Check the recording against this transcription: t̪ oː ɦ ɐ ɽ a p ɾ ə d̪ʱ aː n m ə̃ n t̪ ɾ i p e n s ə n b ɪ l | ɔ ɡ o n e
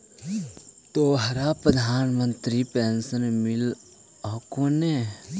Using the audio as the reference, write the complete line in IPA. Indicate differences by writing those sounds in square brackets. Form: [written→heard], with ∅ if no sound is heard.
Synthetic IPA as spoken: t̪ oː ɦ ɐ [ɽ→ɾ] a p ɾ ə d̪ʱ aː n m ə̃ n t̪ ɾ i p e n s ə n [b→m] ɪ l | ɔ [ɡ→k] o n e